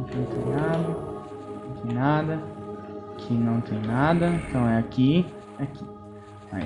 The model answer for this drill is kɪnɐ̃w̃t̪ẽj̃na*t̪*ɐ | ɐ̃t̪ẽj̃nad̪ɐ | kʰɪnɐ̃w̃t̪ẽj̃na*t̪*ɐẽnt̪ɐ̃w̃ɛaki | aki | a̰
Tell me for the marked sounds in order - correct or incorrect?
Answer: incorrect, incorrect

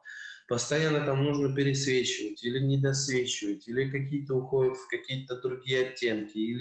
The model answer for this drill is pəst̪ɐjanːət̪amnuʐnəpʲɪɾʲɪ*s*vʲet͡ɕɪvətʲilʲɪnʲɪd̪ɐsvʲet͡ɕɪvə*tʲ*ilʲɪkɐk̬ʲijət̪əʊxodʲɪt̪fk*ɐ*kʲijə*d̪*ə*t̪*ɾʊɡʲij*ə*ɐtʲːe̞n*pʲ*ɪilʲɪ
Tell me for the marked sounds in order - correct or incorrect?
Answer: correct, correct, correct, incorrect, incorrect, correct, incorrect

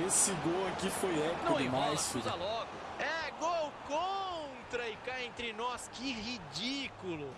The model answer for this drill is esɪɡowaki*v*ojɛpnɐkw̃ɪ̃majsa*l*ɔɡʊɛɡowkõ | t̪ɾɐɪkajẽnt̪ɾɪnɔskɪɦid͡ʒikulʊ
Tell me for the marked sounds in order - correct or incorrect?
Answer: incorrect, correct

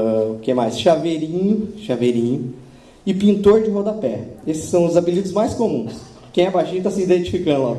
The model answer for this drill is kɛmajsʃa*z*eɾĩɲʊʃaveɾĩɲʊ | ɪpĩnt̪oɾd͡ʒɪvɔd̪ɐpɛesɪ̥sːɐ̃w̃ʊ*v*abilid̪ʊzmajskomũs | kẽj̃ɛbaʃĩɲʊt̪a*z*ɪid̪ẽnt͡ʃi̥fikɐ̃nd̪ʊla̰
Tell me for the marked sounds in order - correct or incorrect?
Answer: incorrect, incorrect, incorrect

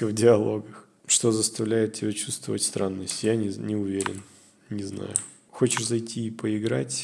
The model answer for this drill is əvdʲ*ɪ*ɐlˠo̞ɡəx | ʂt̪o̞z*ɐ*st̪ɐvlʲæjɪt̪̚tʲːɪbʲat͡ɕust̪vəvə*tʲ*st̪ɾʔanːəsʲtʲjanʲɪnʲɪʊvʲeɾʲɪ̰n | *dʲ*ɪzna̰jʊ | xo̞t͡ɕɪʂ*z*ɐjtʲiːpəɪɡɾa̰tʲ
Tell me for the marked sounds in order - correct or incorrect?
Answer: correct, incorrect, correct, incorrect, correct

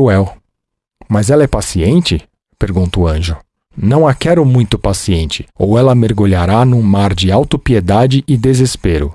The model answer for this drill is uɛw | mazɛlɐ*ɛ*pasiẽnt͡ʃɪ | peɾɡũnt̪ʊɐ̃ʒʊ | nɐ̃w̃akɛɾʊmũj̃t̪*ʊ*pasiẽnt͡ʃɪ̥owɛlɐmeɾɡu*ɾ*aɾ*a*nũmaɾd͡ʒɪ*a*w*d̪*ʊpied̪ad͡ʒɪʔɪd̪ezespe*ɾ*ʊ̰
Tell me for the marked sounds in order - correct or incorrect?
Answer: correct, correct, incorrect, correct, correct, incorrect, correct

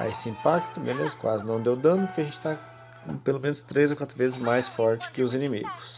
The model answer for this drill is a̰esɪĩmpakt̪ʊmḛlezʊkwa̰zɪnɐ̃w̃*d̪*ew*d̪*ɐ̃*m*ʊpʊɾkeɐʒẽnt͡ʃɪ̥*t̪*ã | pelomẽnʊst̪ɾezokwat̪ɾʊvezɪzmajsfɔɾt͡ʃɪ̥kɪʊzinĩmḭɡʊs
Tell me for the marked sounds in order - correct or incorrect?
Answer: correct, correct, incorrect, correct

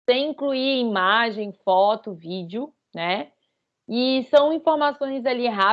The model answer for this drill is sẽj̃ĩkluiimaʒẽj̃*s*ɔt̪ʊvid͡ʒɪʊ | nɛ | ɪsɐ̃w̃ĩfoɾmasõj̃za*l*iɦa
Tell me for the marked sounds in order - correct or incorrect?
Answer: incorrect, correct

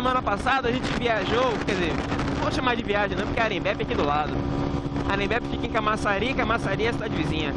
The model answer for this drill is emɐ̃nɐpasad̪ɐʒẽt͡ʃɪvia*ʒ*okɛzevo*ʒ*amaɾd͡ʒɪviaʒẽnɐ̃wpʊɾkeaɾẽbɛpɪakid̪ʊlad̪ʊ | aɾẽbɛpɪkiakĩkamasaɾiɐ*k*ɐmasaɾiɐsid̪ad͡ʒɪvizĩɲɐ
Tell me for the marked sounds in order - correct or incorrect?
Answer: correct, incorrect, correct

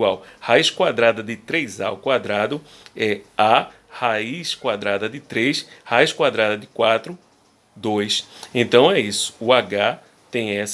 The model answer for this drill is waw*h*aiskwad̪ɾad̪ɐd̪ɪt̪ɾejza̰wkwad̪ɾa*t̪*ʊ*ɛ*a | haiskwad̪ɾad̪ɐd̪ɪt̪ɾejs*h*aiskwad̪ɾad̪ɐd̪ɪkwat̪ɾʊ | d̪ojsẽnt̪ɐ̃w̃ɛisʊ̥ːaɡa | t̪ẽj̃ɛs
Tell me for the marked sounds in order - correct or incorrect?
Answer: correct, incorrect, correct, correct

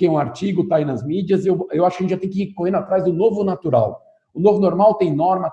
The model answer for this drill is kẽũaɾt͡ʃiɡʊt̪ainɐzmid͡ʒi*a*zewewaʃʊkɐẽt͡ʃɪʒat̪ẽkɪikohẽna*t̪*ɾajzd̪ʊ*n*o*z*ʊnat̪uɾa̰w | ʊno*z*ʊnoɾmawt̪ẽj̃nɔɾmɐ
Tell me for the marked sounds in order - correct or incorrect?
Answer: incorrect, correct, correct, incorrect, incorrect

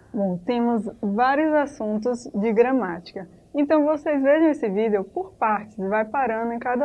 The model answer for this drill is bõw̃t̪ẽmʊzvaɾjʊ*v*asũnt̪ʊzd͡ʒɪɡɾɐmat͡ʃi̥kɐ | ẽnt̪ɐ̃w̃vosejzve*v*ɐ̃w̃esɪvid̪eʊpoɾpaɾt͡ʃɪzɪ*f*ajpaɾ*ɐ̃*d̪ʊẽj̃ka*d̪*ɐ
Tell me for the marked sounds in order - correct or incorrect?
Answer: incorrect, incorrect, incorrect, correct, correct

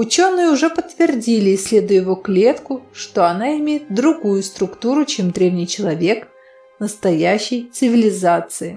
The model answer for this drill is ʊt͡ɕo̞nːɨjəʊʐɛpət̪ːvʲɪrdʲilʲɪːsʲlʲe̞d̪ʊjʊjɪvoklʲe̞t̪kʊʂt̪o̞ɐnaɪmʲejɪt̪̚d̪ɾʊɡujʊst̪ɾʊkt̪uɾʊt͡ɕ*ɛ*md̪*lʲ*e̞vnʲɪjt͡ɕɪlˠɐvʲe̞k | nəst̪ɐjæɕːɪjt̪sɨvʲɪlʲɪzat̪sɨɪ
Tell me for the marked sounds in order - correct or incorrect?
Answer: incorrect, incorrect

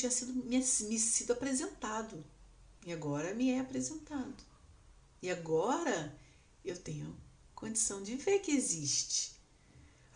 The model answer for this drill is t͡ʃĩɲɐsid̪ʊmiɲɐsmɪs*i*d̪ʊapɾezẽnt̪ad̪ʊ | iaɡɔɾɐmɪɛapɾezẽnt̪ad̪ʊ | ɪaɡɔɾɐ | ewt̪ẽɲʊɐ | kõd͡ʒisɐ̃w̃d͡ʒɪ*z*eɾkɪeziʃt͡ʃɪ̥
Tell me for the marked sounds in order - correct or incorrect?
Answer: correct, incorrect

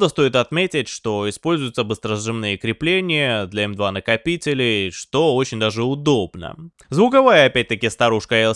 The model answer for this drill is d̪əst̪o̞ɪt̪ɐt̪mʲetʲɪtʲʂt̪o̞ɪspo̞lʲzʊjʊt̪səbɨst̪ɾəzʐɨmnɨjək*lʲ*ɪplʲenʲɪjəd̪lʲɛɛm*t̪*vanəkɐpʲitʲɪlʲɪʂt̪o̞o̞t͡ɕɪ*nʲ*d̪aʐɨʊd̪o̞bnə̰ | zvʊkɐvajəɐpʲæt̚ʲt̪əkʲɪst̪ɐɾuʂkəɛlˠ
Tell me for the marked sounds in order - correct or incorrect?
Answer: incorrect, incorrect, correct

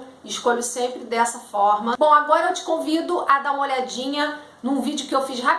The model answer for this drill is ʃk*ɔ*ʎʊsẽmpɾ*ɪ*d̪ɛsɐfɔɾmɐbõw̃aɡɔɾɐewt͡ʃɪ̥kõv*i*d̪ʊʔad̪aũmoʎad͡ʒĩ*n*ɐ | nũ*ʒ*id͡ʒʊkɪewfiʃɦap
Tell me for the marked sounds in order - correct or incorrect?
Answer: incorrect, correct, correct, incorrect, incorrect

